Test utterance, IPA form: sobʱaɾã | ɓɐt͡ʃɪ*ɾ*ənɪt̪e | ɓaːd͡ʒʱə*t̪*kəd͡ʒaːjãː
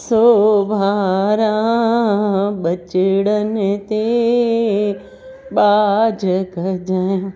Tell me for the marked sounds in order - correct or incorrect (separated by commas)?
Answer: incorrect, incorrect